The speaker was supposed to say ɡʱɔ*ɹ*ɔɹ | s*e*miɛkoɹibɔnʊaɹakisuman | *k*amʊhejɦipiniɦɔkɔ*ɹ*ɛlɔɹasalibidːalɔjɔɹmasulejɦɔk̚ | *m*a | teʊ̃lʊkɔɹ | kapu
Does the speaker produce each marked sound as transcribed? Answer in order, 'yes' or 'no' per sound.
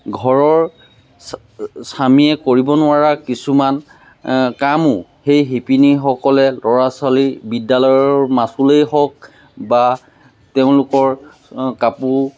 yes, no, yes, no, no

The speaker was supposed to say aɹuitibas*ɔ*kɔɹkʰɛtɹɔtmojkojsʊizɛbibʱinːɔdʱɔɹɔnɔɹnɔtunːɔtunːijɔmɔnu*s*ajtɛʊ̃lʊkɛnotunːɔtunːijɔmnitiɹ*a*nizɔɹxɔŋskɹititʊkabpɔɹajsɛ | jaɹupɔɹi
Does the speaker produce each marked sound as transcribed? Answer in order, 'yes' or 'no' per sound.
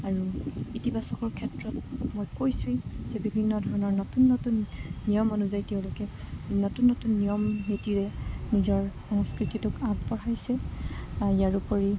yes, no, no

